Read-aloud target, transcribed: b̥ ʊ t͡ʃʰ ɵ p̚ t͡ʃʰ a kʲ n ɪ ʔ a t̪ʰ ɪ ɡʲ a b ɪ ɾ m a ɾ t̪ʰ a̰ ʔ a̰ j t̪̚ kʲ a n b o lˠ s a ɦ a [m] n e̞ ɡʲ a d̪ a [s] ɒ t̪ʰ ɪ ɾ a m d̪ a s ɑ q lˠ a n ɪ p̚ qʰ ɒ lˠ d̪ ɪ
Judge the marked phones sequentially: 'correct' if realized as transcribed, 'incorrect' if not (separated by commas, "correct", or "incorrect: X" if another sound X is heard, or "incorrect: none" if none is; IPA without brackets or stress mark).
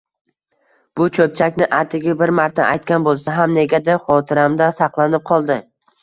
correct, incorrect: χ